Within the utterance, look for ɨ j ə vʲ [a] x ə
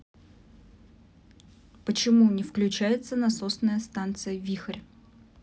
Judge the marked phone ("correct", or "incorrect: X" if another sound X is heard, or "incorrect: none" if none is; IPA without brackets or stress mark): incorrect: i